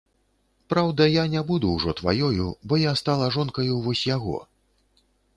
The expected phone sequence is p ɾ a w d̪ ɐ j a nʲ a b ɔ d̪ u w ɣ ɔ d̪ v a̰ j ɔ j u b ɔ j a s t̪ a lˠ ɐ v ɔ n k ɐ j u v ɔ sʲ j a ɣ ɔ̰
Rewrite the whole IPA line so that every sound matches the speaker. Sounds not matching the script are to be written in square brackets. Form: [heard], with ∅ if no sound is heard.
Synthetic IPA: p ɾ a w d̪ ɐ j a nʲ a b [u] d̪ u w [ʐ] ɔ [t̪] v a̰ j ɔ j u b ɔ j a s t̪ a lˠ ɐ [ʐ] ɔ n k ɐ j u v ɔ sʲ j a ɣ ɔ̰